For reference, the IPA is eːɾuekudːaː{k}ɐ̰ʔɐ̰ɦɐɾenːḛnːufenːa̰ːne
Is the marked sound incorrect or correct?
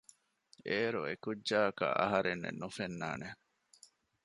correct